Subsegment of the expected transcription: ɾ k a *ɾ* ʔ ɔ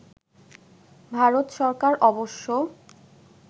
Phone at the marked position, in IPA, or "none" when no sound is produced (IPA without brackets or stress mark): ɾ